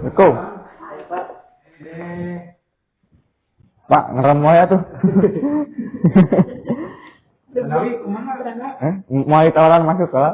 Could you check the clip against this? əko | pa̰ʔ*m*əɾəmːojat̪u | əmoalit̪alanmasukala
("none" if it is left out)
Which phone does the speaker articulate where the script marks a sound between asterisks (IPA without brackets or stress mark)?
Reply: ŋ